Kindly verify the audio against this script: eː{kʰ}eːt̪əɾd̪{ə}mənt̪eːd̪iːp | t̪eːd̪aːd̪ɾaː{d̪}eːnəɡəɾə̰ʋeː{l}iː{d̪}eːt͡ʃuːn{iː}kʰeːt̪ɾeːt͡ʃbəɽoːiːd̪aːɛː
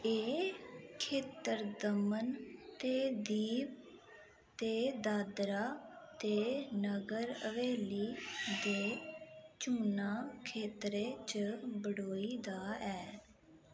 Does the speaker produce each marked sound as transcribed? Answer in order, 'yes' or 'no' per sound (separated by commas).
yes, yes, no, yes, yes, no